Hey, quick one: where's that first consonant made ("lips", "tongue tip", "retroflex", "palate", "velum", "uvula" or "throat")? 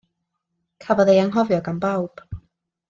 velum